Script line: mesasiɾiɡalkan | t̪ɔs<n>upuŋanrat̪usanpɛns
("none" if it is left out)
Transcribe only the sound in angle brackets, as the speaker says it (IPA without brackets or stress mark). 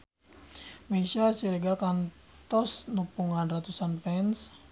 n